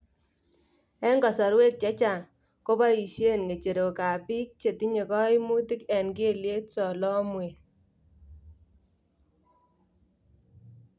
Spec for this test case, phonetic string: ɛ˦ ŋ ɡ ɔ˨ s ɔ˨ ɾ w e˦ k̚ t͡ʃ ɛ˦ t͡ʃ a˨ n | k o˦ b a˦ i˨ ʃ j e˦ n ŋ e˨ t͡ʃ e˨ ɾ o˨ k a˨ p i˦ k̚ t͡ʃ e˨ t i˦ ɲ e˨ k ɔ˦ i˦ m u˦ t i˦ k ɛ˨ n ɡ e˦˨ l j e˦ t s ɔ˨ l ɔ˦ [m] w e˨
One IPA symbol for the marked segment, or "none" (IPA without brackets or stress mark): m